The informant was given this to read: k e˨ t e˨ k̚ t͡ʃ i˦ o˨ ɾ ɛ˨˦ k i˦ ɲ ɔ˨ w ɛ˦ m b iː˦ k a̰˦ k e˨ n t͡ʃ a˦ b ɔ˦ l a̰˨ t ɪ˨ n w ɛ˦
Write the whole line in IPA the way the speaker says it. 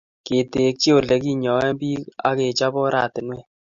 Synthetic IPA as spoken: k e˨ t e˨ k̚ t͡ʃ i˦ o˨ l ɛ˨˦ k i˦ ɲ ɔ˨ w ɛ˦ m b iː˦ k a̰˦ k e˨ t͡ʃ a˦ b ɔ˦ ɾ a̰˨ t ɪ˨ n w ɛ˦